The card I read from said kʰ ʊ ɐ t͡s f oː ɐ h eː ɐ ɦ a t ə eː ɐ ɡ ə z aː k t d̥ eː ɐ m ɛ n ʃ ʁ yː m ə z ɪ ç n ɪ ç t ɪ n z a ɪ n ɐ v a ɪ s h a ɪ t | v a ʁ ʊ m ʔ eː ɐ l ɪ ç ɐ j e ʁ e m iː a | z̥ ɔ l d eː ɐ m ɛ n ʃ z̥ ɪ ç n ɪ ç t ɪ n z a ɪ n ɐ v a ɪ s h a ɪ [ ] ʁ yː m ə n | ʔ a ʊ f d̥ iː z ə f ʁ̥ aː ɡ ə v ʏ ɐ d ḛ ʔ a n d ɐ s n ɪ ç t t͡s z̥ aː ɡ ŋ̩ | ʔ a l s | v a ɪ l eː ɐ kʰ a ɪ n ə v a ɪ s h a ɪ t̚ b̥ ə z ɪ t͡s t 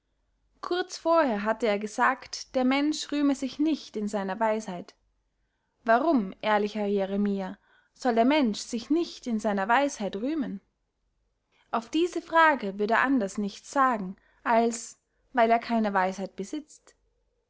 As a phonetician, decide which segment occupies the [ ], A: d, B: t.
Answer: B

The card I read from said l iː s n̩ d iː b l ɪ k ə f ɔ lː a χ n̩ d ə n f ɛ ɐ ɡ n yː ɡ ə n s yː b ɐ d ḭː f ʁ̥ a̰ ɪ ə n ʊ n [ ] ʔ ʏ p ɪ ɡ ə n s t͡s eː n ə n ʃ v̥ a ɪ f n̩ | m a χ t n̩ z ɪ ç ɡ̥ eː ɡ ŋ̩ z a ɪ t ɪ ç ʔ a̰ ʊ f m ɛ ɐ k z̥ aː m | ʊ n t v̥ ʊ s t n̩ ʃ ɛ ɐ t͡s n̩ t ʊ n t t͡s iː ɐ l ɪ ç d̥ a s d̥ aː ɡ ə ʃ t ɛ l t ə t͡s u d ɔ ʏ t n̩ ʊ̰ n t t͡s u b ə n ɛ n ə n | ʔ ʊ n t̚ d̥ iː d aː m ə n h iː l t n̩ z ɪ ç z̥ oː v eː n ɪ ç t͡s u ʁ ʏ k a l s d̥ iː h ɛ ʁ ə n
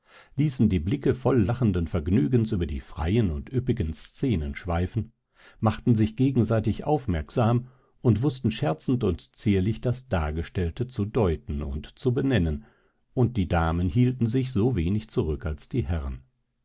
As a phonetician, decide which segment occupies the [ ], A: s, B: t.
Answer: B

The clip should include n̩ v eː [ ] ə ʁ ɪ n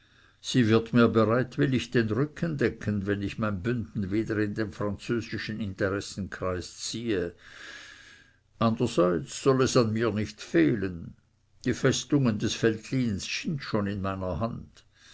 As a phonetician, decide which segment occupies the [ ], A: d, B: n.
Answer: A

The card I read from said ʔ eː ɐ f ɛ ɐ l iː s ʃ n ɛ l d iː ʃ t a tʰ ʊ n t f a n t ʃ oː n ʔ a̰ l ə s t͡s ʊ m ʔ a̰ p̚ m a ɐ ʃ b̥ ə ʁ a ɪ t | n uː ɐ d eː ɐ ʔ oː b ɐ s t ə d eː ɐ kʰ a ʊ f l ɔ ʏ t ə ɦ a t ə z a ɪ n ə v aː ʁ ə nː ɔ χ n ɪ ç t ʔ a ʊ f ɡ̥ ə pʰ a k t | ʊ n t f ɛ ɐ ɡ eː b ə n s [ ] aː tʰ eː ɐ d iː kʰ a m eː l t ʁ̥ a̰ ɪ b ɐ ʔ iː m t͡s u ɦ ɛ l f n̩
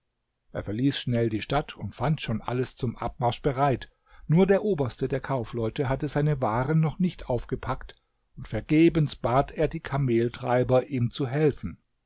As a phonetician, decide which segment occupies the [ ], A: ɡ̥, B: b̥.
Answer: B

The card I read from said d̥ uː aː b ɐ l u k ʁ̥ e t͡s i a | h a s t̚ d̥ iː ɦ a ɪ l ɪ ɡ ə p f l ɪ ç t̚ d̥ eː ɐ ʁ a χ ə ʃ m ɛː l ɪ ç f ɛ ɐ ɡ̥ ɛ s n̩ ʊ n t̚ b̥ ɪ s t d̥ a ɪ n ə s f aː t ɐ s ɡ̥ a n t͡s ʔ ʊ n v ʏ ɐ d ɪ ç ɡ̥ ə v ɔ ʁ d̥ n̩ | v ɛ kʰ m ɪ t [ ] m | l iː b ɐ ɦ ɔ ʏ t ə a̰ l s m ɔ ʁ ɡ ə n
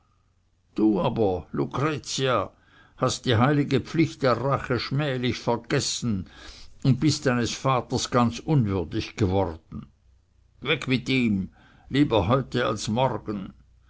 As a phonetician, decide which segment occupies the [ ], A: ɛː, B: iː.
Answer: B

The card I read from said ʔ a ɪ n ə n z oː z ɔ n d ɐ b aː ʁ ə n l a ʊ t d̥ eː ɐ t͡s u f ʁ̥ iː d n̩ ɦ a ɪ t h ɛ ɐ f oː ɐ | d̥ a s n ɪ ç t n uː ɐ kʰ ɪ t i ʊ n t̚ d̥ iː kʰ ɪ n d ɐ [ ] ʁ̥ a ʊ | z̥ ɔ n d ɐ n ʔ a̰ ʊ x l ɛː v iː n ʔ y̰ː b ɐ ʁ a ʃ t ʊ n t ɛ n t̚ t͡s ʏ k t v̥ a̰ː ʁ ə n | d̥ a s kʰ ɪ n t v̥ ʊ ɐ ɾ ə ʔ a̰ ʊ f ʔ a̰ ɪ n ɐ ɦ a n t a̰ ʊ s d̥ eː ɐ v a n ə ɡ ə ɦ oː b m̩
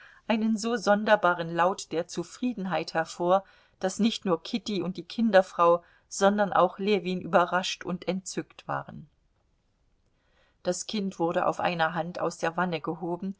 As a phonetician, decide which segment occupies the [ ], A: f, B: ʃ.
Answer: A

